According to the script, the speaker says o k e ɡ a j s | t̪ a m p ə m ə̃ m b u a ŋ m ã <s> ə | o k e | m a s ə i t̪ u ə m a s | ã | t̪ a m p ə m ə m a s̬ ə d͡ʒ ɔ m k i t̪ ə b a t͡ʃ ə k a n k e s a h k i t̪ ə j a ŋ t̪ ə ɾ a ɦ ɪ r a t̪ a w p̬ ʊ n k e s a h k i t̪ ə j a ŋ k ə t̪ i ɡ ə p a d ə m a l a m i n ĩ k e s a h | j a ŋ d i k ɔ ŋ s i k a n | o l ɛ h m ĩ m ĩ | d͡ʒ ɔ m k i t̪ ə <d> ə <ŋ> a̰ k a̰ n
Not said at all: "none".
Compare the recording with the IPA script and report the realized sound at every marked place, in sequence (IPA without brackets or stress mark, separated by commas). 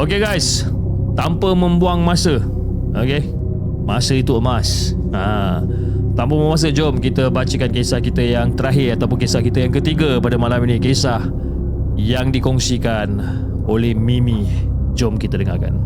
s, d, ŋ